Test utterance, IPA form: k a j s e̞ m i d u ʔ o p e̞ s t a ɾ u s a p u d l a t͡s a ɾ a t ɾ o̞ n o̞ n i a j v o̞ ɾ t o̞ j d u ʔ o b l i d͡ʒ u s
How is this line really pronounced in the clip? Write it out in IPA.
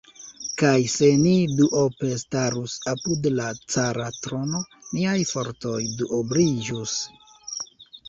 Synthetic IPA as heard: k a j s e̞ n i d u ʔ o p e̞ s t a ɾ u s a p u d l a t͡s a ɾ a t ɾ o̞ n o̞ n i a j f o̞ ɾ t o̞ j d u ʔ o b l i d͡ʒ u s

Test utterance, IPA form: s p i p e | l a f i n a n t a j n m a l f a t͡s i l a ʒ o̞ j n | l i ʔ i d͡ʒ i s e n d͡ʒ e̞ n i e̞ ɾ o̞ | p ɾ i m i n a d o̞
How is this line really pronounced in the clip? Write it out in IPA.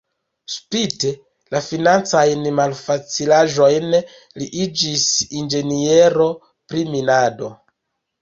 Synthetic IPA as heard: s p i t e | l a f i n a n t͡s a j n m a l f a t͡s i l a ʒ o̞ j n | l i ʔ i d͡ʒ i s i n d͡ʒ e̞ n i e̞ ɾ o̞ | p ɾ i m i n a d o̞

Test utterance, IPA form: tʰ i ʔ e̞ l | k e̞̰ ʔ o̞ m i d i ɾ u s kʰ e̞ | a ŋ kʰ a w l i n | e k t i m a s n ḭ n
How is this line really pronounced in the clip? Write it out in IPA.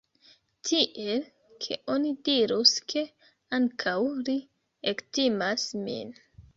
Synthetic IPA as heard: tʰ i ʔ e̞ l | kʰ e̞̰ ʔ o̞ n i d i ɾ u s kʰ e̞ | a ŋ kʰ a w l i | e k t i m a s m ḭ n

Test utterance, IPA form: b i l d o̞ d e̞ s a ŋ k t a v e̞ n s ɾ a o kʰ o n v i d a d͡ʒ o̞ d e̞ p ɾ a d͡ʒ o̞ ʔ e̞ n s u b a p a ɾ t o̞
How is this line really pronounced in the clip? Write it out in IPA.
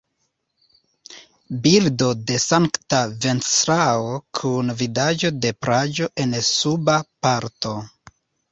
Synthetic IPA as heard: b i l d o̞ d e̞ s a ŋ k t a v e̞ n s ɾ a o kʰ u n v i d a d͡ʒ o̞ d e̞ p ɾ a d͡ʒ o̞ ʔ e̞ n s u b a p a ɾ t o̞

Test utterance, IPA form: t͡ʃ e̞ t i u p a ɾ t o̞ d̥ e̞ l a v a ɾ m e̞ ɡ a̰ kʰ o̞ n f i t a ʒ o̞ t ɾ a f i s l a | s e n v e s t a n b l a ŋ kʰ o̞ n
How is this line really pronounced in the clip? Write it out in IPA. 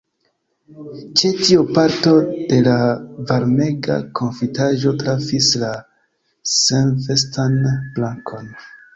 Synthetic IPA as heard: t͡ʃ e̞ t i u p a ɾ t o̞ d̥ e̞ l a v a ɾ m e̞ ɡ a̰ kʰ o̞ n f i t a ʒ o̞ t ɾ a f i s l a | s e n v e s t a n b l a ŋ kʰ o̞ n

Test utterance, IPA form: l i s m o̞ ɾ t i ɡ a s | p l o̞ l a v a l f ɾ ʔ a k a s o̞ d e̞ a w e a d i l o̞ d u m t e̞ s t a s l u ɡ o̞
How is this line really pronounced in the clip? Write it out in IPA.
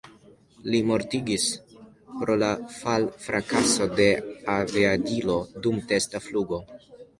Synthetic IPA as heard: l i m o̞ ɾ t i ɡ i s | p ɾ o̞ l a f a l f ɾ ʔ a k a s o̞ d e̞ a v e a d i l o̞ d u m t e̞ s t a f l u ɡ o̞

